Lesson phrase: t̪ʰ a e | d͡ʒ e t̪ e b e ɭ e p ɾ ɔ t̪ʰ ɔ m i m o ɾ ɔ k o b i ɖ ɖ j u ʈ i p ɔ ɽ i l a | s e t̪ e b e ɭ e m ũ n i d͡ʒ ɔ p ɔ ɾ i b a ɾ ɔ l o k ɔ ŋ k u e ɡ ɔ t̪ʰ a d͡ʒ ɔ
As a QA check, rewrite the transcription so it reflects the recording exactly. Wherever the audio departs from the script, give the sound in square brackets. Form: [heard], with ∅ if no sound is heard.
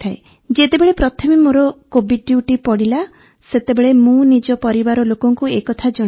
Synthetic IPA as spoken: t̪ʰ a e | d͡ʒ e t̪ e b e ɭ e p ɾ ɔ t̪ʰ ɔ m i m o ɾ ɔ k o b i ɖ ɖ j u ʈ i p ɔ ɽ i l a | s e t̪ e b e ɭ e m ũ n i d͡ʒ ɔ p ɔ ɾ i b a ɾ ɔ l o k ɔ ŋ k u e [k] ɔ t̪ʰ a d͡ʒ ɔ